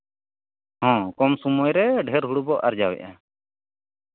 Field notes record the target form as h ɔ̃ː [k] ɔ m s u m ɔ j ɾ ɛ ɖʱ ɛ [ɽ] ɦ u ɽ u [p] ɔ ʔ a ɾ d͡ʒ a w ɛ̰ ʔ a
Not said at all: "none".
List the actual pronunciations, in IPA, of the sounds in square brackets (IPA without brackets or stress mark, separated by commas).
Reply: k, ɾ, b